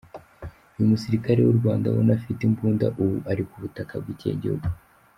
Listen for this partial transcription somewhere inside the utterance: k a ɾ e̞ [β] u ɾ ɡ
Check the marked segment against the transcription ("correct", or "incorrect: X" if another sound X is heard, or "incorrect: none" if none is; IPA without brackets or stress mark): incorrect: w